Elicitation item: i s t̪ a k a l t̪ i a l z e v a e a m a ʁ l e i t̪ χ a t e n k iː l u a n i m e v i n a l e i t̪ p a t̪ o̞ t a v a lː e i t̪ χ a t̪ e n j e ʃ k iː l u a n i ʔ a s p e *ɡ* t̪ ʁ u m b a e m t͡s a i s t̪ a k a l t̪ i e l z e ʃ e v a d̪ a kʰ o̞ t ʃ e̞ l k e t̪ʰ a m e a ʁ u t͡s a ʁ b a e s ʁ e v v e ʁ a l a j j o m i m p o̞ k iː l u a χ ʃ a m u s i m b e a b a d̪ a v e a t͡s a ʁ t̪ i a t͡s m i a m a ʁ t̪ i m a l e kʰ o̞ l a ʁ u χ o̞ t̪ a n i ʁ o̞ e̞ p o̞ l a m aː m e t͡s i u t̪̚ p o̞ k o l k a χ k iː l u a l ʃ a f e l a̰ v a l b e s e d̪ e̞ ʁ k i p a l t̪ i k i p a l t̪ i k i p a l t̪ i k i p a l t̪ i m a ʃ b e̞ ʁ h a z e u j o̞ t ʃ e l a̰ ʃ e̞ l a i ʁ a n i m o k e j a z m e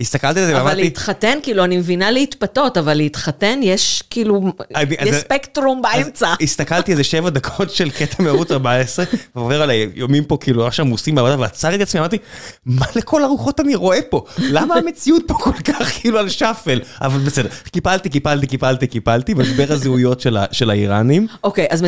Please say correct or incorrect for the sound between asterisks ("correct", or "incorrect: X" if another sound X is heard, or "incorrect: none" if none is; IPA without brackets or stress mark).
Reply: incorrect: k